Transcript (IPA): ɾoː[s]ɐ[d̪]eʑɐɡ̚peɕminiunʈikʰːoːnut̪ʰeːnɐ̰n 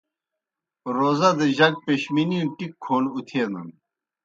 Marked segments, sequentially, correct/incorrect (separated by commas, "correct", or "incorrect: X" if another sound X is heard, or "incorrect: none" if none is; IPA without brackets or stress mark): incorrect: z, correct